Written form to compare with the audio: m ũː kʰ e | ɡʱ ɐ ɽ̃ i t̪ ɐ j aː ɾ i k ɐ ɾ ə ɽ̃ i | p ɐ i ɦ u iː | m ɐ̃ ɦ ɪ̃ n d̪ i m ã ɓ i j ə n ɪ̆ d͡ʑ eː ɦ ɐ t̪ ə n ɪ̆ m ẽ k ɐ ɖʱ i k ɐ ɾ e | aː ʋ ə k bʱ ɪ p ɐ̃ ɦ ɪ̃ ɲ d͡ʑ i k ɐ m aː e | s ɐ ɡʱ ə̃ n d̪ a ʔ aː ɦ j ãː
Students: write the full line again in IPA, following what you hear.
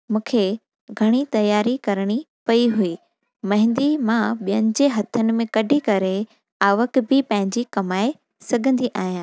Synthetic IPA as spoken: m ũː kʰ e | ɡʱ ɐ ɽ̃ i t̪ ɐ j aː ɾ i k ɐ ɾ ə ɽ̃ i | p ɐ i ɦ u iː | m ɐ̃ ɦ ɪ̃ n d̪ i m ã ɓ i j ə n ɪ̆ d͡ʑ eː ɦ ɐ t̪ʰ ə n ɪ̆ m ẽ k ɐ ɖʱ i k ɐ ɾ e | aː ʋ ə k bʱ ɪ p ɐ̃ ɦ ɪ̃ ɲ d͡ʑ i k ɐ m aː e | s ɐ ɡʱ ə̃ n d̪ i ʔ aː ɦ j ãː